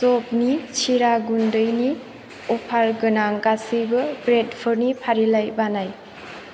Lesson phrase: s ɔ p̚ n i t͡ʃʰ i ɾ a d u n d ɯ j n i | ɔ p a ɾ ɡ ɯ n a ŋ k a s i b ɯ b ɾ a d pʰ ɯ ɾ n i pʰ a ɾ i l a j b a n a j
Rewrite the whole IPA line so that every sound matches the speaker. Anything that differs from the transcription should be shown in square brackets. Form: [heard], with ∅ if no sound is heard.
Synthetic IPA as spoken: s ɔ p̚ n i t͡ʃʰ i ɾ a [ɡ] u n d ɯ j n i | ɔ [pʰ] a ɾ ɡ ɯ n a ŋ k a s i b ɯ b ɾ [e] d pʰ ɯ ɾ n i pʰ a ɾ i l a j b a n a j